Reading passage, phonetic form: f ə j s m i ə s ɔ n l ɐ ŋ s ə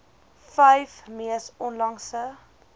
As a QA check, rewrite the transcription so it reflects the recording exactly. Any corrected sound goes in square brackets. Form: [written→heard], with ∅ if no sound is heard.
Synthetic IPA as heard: f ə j [s→f] m i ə s ɔ n l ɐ ŋ s ə